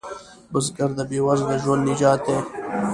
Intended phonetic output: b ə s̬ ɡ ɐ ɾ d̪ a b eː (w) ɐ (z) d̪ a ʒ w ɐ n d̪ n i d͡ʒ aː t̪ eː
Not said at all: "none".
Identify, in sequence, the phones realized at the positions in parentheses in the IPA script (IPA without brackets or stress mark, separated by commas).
w, z